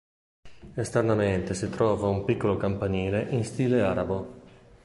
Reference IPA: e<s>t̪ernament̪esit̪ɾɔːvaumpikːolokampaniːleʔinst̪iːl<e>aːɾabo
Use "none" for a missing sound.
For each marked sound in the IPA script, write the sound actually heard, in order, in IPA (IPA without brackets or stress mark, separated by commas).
s, e